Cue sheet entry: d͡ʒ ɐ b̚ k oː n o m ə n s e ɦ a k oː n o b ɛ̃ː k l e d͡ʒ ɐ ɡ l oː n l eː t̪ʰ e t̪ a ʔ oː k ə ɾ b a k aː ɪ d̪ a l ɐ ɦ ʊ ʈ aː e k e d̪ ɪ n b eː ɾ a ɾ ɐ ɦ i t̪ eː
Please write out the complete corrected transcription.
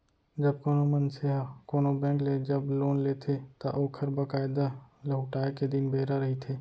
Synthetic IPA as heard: d͡ʒ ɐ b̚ k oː n o m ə n s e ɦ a k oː n o b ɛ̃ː k l e d͡ʒ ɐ b l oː n l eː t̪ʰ e t̪ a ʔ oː kʰ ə ɾ b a k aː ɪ d̪ a l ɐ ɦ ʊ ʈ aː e k e d̪ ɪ n b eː ɾ a ɾ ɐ ɦ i t̪ʰ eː